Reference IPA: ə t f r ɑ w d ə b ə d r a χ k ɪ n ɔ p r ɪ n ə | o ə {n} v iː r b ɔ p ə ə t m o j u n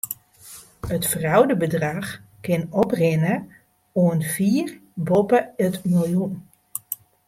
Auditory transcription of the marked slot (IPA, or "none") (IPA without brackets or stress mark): n